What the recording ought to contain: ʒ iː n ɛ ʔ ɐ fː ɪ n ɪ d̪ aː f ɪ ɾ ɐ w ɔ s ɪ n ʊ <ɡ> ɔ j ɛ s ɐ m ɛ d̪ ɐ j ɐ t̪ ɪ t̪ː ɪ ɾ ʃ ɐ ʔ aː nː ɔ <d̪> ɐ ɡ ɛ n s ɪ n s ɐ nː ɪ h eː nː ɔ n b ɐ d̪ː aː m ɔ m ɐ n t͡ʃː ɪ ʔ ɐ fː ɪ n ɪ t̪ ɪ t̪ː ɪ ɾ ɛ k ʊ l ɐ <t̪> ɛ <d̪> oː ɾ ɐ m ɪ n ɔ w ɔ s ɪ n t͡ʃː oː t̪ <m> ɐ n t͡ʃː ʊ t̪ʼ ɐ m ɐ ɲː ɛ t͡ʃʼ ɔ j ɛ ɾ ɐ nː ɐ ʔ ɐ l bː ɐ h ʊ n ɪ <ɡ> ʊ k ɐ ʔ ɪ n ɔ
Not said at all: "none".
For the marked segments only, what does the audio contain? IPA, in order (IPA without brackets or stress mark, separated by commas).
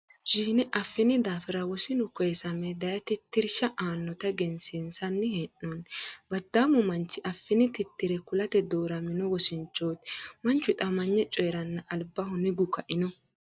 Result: k, t̪, t̪, d̪, m, ɡ